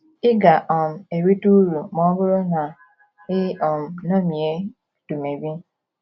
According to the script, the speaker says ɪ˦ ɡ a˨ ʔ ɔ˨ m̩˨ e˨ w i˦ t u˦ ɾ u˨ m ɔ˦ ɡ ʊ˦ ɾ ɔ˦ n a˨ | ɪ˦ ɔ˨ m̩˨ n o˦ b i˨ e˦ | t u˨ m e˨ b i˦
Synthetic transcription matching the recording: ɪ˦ ɡ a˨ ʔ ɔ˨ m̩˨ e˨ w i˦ t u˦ ɾ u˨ m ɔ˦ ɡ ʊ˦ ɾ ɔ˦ n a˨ | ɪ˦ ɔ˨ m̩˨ n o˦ m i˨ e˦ | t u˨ m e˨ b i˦